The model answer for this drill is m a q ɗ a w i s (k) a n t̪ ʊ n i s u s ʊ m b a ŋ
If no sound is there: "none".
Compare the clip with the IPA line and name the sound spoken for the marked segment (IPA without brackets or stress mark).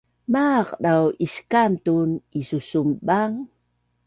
k